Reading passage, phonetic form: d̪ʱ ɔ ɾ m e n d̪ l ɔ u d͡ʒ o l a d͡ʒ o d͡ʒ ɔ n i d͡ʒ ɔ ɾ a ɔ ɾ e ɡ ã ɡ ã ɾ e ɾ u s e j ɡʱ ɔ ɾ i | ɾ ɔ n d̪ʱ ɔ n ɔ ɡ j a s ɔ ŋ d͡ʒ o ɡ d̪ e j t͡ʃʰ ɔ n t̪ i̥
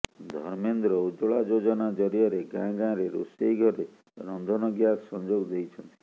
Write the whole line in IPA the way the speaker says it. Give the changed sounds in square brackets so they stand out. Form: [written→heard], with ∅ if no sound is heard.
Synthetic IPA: d̪ʱ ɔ ɾ m e n d̪ [l→ɾ] ɔ u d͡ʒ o [l→ɭ] a d͡ʒ o d͡ʒ ɔ n [i→a] d͡ʒ ɔ ɾ [a→i] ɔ ɾ e ɡ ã ɡ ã ɾ e ɾ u s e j ɡʱ ɔ ɾ [i→e] | ɾ ɔ n d̪ʱ ɔ n ɔ ɡ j a s ɔ [ŋ→n] d͡ʒ o ɡ d̪ e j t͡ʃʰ ɔ n t̪ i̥